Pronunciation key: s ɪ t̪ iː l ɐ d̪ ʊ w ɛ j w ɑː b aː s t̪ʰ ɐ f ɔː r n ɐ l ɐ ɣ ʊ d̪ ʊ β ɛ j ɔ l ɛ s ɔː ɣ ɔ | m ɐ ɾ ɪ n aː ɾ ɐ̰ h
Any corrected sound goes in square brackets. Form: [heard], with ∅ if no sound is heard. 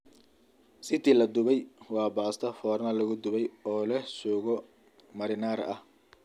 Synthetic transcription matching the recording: s ɪ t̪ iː l ɐ d̪ ʊ [β] ɛ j w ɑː b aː s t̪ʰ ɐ f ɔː r n ɐ l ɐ ɣ ʊ d̪ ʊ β ɛ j [ɔː] l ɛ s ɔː ɣ ɔ | m ɐ ɾ ɪ n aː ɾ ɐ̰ h